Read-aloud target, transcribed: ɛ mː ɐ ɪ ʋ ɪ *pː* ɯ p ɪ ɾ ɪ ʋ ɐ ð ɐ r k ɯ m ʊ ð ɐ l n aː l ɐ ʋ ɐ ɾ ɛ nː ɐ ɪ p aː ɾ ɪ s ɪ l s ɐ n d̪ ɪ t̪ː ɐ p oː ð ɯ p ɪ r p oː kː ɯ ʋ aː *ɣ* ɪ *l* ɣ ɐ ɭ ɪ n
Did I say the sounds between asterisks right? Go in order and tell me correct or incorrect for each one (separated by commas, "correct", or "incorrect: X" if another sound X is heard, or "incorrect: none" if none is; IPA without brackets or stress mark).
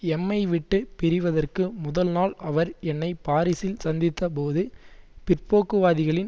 incorrect: ʈː, incorrect: ð, incorrect: none